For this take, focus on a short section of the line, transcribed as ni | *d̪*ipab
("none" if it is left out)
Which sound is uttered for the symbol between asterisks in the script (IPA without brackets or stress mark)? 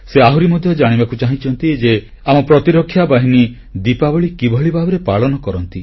d̪